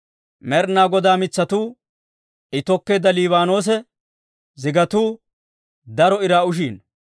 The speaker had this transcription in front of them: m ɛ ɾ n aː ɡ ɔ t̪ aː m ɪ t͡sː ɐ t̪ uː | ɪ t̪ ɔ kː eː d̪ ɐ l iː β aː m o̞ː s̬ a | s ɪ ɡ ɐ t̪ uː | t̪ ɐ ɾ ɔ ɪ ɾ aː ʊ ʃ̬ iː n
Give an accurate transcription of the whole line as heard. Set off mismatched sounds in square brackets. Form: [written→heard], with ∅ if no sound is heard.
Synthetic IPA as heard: m ɛ ɾ n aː ɡ ɔ [t̪→d̪] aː m ɪ t͡sː ɐ t̪ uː | ɪ t̪ ɔ kː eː d̪ ɐ l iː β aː [m→n] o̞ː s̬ [a→ɛ] | [s→z] ɪ ɡ ɐ t̪ uː | [t̪→d̪] ɐ ɾ ɔ ɪ ɾ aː ʊ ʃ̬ iː n